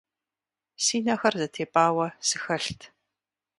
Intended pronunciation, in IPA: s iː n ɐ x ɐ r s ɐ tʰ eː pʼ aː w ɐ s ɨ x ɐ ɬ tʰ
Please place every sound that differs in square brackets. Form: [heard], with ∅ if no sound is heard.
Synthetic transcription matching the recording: s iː n ɐ x ɐ r [z] ɐ tʰ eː pʼ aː w ɐ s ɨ x ɐ ɬ tʰ